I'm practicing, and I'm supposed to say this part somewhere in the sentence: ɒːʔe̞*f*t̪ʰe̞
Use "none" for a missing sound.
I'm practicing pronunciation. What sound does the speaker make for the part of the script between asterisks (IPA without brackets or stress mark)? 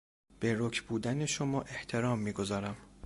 h